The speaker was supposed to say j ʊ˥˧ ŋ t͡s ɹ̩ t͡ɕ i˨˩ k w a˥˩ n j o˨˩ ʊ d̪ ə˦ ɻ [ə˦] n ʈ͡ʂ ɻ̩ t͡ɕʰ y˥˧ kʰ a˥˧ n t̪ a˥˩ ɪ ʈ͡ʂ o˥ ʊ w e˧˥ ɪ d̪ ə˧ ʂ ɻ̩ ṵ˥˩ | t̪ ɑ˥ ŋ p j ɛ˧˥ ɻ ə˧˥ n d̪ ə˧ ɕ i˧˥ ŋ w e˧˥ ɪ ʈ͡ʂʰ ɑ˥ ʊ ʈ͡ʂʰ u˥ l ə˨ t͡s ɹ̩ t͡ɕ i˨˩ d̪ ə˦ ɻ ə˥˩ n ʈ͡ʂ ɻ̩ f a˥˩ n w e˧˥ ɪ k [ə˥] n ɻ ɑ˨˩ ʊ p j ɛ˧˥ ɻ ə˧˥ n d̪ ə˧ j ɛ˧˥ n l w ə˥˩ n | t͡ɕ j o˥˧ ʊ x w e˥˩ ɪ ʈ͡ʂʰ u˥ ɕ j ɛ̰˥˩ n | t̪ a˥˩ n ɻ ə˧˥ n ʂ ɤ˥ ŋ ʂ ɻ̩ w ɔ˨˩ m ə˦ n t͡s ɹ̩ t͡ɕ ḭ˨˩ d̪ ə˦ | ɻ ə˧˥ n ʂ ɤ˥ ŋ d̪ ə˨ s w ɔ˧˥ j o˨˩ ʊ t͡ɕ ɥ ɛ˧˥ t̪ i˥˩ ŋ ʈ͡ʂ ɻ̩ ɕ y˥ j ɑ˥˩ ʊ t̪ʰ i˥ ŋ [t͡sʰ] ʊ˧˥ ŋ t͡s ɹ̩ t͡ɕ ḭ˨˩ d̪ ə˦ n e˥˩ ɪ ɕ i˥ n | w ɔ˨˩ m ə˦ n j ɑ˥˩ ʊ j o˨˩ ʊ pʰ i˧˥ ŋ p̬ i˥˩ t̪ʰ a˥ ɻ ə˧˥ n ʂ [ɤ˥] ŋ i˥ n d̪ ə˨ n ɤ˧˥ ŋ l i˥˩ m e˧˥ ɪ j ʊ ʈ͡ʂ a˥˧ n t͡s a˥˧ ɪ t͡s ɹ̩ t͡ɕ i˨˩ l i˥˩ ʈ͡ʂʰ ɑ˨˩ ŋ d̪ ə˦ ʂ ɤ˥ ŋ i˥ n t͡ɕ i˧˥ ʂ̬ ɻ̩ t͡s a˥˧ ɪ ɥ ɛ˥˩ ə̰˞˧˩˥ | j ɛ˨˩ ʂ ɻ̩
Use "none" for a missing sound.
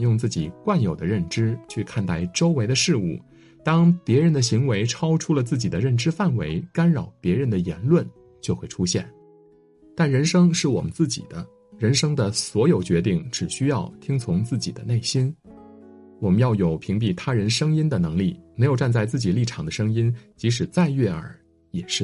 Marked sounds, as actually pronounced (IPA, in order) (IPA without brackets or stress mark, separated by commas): ə˥˩, a˥, t͡sʰ, ɤ˥